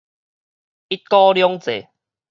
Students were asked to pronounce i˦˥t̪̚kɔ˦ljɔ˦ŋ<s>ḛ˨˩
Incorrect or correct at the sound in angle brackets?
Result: incorrect: t͡s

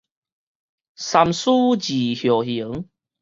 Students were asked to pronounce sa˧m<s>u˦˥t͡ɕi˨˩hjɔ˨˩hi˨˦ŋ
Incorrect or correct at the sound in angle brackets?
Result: correct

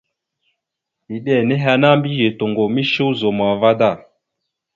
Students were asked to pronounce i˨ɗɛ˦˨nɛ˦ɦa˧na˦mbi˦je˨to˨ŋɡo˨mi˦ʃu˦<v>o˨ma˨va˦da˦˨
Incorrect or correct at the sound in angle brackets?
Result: incorrect: z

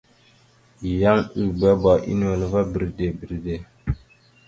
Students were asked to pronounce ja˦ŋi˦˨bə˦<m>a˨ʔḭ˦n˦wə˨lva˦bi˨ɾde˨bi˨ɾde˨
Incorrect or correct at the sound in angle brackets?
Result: incorrect: b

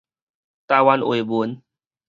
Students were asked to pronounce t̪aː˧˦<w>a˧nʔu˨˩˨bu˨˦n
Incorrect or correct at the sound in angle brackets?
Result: correct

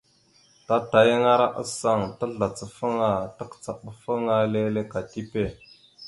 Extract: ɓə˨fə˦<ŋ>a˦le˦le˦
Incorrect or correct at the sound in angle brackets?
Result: correct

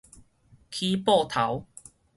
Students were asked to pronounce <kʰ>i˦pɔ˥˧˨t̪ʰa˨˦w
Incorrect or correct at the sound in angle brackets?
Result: correct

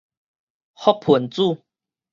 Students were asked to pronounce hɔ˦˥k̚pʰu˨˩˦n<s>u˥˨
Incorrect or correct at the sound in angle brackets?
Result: incorrect: t͡s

